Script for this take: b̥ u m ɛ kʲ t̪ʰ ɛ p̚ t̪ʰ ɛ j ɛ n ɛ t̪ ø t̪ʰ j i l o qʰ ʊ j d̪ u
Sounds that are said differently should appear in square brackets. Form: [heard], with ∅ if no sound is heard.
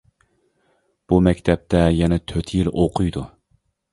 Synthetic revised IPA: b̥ u m ɛ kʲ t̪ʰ ɛ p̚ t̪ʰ ɛ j ɛ n ɛ [t̪ʰ] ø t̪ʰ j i l o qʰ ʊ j d̪ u